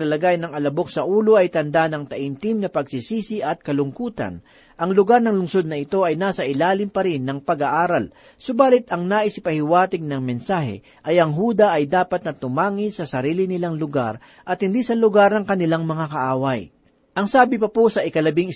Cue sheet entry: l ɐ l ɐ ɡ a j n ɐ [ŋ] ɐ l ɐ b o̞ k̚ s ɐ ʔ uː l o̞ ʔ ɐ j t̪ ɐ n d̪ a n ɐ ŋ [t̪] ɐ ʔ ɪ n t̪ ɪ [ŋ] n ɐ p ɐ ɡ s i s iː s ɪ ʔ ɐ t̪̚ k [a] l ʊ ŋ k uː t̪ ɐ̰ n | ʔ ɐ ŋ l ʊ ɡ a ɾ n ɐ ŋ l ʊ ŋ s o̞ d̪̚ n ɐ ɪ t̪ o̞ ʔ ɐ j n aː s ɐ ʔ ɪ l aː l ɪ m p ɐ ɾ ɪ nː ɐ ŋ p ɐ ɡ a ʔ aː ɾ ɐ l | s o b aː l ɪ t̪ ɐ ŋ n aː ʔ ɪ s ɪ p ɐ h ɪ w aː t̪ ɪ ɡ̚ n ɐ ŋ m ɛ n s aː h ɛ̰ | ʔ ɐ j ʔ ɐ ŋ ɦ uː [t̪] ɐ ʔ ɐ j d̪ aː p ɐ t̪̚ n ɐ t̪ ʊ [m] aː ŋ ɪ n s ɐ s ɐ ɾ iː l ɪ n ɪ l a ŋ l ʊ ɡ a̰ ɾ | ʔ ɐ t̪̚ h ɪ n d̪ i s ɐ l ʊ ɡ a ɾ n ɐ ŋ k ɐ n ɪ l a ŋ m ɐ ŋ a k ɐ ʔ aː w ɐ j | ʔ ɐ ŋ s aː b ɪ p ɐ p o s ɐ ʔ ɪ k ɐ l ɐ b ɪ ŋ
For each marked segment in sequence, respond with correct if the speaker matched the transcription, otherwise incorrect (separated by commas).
correct, correct, incorrect, incorrect, incorrect, correct